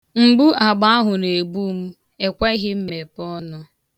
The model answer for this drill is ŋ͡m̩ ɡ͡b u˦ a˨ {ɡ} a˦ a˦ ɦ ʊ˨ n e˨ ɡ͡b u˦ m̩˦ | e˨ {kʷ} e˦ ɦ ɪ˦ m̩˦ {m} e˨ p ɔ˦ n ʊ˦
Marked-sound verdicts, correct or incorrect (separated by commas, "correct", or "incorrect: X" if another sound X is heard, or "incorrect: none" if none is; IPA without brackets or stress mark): incorrect: ɡ͡b, correct, correct